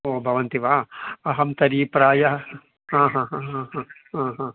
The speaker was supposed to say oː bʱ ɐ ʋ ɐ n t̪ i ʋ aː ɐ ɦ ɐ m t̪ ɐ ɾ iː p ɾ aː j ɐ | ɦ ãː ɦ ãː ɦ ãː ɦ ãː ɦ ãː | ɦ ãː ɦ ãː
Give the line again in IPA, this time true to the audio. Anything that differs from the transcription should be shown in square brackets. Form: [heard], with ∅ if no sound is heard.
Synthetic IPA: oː bʱ ɐ ʋ ɐ n t̪ i ʋ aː ɐ ɦ ɐ m t̪ ɐ ɾ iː p ɾ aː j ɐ | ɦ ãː ɦ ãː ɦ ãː ɦ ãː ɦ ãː | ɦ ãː ɦ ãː